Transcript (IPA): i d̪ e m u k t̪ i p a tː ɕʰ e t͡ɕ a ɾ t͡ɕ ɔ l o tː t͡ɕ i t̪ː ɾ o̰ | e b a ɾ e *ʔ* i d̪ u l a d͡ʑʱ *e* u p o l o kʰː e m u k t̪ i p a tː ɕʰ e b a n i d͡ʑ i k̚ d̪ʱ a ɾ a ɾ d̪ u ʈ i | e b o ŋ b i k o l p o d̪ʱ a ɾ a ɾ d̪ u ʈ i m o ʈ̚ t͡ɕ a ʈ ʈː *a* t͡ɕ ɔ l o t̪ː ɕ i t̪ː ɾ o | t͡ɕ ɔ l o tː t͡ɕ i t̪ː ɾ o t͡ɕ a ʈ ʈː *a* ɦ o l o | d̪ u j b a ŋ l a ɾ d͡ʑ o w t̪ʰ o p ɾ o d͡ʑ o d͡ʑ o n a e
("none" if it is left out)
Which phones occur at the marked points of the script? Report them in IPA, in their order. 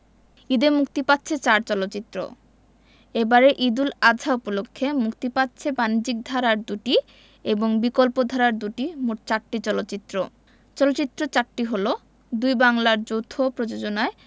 ʔ, a, i, i

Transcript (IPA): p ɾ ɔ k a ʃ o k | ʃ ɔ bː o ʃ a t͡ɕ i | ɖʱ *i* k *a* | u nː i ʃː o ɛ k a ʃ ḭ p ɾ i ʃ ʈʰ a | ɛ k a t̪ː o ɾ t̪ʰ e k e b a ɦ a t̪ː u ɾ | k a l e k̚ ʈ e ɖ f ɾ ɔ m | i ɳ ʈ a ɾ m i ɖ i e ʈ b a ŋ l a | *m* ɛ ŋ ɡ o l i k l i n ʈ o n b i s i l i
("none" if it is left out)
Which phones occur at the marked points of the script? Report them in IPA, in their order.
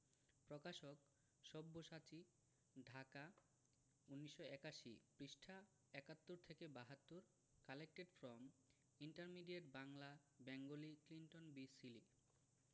a, a, b

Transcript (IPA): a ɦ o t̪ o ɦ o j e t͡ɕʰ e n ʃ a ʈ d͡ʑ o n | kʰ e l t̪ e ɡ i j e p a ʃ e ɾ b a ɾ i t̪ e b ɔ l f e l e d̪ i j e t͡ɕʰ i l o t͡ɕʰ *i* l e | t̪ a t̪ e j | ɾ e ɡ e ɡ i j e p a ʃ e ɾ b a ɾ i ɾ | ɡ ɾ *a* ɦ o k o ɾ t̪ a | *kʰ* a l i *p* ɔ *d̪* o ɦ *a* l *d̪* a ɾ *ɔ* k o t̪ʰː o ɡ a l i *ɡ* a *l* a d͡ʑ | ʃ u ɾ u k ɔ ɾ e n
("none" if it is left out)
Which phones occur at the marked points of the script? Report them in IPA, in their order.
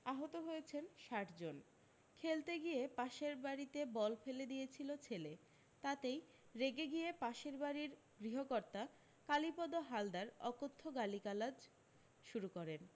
e, i, k, p, d̪, a, d̪, ɔ, k, l

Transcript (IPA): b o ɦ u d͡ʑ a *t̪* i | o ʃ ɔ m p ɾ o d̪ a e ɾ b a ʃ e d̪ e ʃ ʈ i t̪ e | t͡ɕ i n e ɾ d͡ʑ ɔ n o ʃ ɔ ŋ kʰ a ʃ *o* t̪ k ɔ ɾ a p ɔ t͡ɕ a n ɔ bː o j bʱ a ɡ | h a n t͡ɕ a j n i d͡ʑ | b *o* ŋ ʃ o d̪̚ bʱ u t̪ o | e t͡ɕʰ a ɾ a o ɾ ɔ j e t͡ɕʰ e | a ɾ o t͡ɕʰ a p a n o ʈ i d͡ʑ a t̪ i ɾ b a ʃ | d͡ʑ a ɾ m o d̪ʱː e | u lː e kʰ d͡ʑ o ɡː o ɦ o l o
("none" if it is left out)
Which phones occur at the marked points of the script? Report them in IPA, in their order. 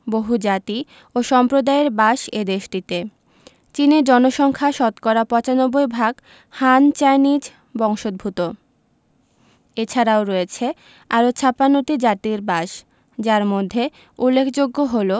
t̪, ɔ, ɔ

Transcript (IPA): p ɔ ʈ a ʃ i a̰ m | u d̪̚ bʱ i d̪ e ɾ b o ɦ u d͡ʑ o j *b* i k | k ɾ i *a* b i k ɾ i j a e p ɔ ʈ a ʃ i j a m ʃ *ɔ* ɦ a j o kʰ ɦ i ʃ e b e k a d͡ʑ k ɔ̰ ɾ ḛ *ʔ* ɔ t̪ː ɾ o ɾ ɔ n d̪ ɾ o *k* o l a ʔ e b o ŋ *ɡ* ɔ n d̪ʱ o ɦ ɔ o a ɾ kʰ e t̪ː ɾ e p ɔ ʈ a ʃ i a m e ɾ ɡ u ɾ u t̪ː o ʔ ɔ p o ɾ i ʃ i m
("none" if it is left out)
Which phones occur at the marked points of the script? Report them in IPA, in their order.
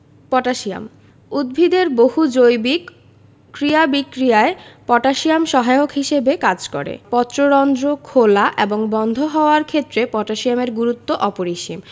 b, a, ɔ, p, kʰ, b

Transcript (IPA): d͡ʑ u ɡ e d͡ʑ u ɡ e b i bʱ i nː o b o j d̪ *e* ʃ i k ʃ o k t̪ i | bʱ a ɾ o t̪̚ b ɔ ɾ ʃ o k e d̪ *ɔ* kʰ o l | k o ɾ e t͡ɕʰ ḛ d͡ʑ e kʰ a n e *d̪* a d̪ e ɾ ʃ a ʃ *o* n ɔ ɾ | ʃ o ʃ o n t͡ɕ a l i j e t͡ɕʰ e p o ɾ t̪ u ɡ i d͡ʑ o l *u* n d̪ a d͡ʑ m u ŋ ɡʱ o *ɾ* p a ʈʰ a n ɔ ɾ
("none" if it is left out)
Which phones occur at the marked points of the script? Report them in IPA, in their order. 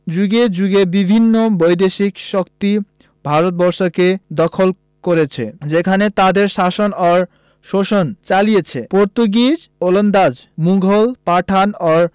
e, ɔ, t̪, o, o, l

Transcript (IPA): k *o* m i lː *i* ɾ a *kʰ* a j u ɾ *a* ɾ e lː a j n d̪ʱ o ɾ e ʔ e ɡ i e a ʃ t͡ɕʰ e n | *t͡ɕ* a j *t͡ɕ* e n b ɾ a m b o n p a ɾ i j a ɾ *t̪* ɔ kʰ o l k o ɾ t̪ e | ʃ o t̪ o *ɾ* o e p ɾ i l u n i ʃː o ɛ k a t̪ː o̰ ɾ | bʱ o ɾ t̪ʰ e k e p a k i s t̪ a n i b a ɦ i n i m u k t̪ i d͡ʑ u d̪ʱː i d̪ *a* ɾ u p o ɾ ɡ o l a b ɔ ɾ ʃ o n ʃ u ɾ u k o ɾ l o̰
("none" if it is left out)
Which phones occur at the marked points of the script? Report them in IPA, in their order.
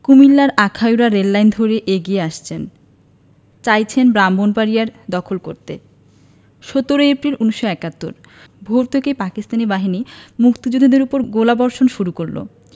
u, a, kʰ, a, t͡ɕ, t͡ɕʰ, d̪, ɾ, e

